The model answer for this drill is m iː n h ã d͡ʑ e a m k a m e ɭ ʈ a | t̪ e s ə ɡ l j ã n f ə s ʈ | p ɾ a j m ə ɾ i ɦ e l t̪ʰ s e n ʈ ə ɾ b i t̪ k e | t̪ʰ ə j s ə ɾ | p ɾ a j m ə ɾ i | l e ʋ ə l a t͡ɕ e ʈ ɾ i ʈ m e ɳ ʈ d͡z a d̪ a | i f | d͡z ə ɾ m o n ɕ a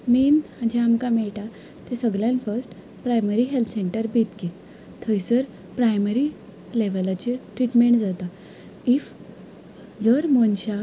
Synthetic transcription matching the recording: m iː n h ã d͡ʑ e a m k a m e ɭ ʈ a | t̪ e s ə ɡ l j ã n f ə s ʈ | p ɾ a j m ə ɾ i ɦ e l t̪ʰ s e ɳ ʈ ə ɾ b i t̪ k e | t̪ʰ ə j s ə ɾ | p ɾ a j m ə ɾ i | l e ʋ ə l a t͡ɕ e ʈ ɾ i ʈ m e ɳ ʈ d͡z a t̪ a | i f | d͡z ə ɾ m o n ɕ a